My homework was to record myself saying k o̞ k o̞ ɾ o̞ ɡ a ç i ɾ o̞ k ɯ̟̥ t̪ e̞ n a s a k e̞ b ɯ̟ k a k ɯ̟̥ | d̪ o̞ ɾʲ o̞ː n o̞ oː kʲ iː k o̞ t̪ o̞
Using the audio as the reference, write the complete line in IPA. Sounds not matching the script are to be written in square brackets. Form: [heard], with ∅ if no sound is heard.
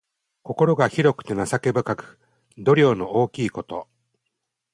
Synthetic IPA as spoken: k o̞ k o̞ ɾ o̞ ɡ a ç i ɾ o̞ k ɯ̟̥ t̪ e̞ n a s a k e̞ b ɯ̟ k a k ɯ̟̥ | d̪ o̞ ɾʲ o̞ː n o̞ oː kʲ iː k o̞ t̪ o̞